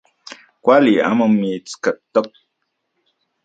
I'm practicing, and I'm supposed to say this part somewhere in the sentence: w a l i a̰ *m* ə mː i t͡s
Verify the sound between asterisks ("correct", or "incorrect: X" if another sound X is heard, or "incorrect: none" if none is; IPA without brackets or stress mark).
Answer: correct